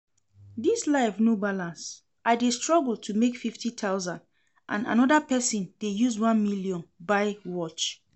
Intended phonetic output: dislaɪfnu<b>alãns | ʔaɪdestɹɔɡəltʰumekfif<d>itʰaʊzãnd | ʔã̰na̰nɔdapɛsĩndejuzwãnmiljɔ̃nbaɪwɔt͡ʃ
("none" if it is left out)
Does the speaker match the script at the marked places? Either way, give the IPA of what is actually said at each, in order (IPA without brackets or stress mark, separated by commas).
b, t